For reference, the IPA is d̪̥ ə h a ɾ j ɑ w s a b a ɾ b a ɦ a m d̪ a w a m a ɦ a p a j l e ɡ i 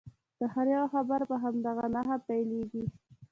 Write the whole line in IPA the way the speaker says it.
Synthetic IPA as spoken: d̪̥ ə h a ɾ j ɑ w x a b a ɾ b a ɦ a m d̪ a ɣ a n a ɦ a p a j l e ɡ i